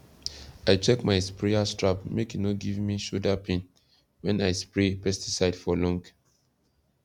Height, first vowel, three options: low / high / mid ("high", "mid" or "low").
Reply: low